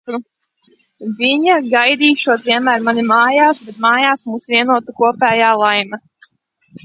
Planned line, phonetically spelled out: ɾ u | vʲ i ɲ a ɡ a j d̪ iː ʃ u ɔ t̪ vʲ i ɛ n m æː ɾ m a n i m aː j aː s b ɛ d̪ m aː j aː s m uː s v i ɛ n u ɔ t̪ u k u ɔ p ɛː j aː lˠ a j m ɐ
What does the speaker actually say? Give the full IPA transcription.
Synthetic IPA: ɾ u | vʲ i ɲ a ɡ a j d̪ iː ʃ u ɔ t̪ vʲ i ɛ n m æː ɾ m a n i m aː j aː s b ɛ t̪ m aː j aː s m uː s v i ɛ n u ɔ t̪ u k u ɔ p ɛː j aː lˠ a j m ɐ